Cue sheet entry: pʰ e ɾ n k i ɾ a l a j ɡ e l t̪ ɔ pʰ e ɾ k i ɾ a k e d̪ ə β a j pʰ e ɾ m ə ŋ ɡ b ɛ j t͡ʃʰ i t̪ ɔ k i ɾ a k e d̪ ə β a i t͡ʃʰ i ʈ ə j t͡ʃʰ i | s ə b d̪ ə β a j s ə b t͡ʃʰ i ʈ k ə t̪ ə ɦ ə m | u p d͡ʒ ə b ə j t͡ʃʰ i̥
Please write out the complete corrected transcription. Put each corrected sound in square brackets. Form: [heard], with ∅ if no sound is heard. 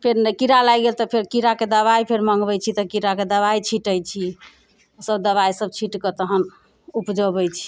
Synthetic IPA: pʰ e ɾ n k i ɾ a l a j ɡ e l t̪ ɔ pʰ e ɾ k i ɾ a k e d̪ ə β a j pʰ e ɾ m ə ŋ ɡ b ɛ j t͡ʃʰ i t̪ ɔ k i ɾ a k e d̪ ə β a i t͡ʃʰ i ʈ ə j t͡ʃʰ i | s ə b d̪ ə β a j s ə b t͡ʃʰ i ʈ k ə t̪ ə ɦ ə [n] | u p d͡ʒ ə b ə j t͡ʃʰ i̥